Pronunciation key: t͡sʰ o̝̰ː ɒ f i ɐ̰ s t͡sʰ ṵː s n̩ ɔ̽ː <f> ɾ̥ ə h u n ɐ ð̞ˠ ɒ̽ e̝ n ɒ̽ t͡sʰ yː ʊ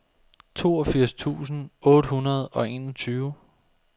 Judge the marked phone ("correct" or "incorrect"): incorrect